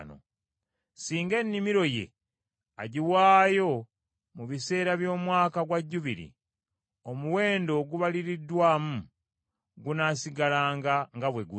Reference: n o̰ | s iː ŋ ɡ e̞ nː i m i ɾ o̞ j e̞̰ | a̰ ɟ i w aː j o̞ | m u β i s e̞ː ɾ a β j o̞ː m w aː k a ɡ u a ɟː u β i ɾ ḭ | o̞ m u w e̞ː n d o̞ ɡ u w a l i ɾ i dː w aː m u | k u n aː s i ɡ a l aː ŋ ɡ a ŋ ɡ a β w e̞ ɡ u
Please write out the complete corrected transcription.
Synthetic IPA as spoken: n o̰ | s iː ŋ ɡ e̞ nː i m i ɾ o̞ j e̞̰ | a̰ ɟ i w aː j o̞ | m u β i s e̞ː ɾ a β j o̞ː m w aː k a ɡ w a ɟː u β i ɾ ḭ | o̞ m u w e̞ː n d o̞ ɡ u β a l i ɾ i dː w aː m u | ɡ u n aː s i ɡ a l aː ŋ ɡ a ŋ ɡ a β w e̞ ɡ u